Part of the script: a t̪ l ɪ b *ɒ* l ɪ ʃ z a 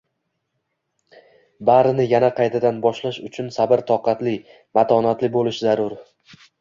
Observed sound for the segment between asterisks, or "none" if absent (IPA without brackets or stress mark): o